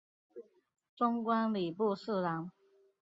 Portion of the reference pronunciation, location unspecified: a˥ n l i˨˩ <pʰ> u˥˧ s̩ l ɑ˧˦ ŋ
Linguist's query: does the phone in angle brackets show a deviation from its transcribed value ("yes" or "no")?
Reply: yes